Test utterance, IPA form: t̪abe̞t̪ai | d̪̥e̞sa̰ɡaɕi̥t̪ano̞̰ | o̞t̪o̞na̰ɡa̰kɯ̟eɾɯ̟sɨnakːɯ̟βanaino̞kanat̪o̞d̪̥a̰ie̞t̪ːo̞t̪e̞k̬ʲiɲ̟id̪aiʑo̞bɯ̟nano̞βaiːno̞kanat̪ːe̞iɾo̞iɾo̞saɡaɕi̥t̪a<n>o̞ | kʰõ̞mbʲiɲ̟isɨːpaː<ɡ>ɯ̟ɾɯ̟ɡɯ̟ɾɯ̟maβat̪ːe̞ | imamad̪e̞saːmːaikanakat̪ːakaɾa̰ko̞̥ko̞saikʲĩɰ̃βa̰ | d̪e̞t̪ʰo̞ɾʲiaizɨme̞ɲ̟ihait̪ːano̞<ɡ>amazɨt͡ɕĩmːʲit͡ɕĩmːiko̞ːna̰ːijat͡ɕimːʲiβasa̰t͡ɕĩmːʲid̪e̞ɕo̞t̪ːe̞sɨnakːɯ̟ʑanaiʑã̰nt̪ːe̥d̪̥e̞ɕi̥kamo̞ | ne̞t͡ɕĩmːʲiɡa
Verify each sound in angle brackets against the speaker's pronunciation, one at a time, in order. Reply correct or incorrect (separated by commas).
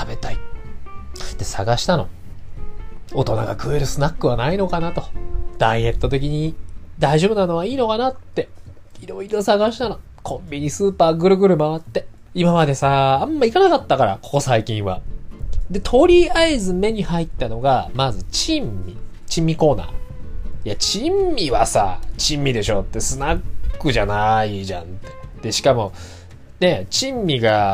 correct, correct, correct